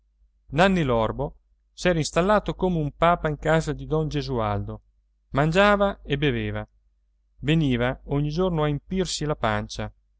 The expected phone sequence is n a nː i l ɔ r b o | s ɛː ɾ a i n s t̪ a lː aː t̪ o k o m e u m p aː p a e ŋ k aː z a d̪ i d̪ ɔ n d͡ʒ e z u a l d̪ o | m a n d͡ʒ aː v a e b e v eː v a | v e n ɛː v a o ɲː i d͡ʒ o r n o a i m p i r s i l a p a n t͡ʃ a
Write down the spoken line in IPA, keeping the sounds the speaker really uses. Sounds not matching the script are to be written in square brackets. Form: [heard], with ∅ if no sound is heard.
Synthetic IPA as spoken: n a nː i l ɔ r b o | s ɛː ɾ a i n s t̪ a lː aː t̪ o k o m e u m p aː p a [i] ŋ k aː z a d̪ i d̪ ɔ n d͡ʒ e z u a l d̪ o | m a n d͡ʒ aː v a e b e v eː v a | v e n [iː] v a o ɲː i d͡ʒ o r n o a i m p i r s i l a p a n t͡ʃ a